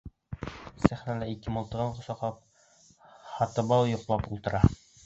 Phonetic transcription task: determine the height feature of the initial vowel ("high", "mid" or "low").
low